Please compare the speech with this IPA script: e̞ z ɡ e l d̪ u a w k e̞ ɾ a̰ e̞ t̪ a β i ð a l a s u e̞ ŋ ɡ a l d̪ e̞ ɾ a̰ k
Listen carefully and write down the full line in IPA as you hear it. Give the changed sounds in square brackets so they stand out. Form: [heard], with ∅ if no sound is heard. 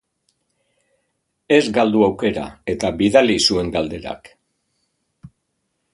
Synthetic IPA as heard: e̞ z ɡ [a] l d̪ u a w k e̞ ɾ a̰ e̞ t̪ a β i ð a l [i] s u e̞ ŋ ɡ a l d̪ e̞ ɾ a̰ k